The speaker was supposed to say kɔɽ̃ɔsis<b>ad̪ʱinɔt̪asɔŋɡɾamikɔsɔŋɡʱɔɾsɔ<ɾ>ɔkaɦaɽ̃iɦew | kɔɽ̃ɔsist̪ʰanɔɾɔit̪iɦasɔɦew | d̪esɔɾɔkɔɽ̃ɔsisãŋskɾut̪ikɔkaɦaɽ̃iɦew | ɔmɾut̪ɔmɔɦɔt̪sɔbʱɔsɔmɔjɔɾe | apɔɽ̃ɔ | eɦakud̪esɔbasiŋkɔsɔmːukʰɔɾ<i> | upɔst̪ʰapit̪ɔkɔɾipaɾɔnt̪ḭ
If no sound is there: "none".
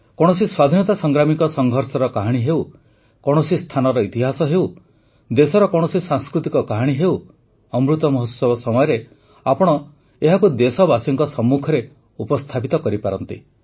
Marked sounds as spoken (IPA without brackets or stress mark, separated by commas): w, ɾ, e